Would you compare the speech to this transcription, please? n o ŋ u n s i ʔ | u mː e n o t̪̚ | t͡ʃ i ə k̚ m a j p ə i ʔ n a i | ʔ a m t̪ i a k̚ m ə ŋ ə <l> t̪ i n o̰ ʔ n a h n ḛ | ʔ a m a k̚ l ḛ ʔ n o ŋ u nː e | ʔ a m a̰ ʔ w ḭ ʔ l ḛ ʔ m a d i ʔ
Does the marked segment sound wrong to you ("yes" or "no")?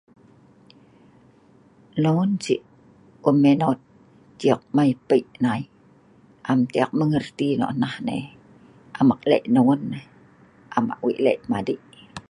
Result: yes